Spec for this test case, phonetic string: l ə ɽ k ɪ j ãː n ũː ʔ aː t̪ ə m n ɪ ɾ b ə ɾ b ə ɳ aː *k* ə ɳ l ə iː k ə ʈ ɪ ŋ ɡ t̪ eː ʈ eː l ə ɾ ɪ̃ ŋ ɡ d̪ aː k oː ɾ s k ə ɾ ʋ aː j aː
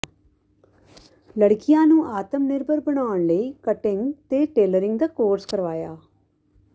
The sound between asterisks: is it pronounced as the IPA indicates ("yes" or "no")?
no